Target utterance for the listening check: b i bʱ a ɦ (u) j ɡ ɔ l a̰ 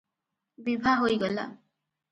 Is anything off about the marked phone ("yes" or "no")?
yes